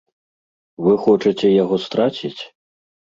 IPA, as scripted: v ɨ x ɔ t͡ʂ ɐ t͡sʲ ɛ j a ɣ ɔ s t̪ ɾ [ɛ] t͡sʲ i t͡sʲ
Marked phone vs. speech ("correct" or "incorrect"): incorrect